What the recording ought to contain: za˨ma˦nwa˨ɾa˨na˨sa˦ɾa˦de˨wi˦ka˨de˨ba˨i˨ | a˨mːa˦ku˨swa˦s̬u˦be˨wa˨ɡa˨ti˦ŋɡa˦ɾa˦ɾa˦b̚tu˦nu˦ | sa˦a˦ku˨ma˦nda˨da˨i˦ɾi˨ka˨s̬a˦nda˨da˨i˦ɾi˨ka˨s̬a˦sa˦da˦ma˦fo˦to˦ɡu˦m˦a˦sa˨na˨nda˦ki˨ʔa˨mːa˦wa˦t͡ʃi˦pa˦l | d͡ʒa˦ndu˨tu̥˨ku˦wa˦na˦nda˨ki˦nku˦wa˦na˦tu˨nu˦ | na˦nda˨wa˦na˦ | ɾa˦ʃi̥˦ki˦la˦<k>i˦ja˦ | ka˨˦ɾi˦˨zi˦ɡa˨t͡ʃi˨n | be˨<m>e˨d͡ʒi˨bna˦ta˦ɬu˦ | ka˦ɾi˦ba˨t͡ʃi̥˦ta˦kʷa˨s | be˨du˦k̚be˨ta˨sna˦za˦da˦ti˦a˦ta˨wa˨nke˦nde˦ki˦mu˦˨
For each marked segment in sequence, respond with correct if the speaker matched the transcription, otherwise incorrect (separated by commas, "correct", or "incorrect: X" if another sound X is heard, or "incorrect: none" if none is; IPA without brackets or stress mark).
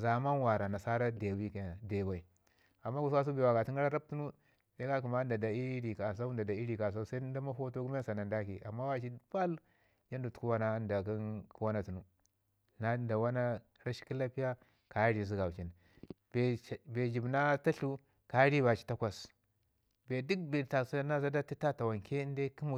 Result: incorrect: p, incorrect: b